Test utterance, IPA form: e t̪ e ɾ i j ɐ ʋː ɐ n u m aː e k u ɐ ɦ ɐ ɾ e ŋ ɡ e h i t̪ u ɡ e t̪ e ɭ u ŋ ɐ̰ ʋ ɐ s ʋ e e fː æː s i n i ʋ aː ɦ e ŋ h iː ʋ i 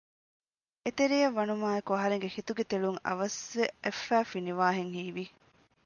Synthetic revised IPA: e t̪ e ɾ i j ɐ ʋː ɐ n u m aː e k u ɐ ɦ ɐ ɾ e ŋ ɡ e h i t̪ u ɡ e t̪ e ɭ u ŋ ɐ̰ ʋ ɐ s ʋ e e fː æː f i n i ʋ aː ɦ e ŋ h iː ʋ i